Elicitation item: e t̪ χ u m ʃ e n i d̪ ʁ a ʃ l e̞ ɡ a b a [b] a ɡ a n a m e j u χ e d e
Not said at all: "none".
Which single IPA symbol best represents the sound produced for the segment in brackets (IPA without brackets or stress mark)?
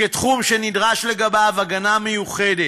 v